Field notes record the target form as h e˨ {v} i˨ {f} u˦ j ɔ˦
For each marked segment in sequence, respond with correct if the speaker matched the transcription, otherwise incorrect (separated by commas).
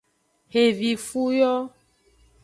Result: correct, correct